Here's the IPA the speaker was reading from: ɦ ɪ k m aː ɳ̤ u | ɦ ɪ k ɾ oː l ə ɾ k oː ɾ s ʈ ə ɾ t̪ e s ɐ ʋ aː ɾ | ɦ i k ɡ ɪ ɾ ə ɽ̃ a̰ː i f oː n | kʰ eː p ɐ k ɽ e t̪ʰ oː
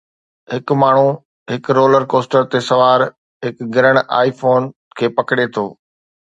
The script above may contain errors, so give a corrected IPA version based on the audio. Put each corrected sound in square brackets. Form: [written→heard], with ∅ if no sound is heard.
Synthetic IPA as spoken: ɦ ɪ k m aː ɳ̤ u | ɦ ɪ k ɾ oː l ə ɾ k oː [ɾ→∅] s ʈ ə ɾ t̪ e s ɐ ʋ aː ɾ | ɦ [i→ɪ] k ɡ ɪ ɾ ə ɽ̃ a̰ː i f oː n | kʰ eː p ɐ k ɽ e t̪ʰ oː